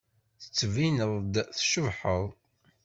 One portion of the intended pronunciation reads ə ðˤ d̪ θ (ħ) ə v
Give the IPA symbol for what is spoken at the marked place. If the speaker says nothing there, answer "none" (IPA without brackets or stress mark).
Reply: ʃ